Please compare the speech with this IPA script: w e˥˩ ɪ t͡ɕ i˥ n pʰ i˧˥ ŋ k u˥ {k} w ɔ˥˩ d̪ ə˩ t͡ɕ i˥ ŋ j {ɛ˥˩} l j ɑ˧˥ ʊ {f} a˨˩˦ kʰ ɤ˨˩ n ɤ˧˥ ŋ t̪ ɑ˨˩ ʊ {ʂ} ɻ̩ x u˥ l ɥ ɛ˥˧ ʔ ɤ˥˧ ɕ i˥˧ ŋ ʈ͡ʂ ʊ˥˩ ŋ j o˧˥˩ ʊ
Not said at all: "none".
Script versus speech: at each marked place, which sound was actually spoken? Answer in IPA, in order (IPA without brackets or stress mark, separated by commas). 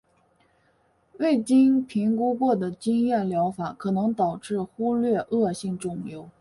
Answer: k, ɛ˥˩, f, ʈ͡ʂ